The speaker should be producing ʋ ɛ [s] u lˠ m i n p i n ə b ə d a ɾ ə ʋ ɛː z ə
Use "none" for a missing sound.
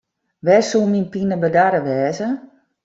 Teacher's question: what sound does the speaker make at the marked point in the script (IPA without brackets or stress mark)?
s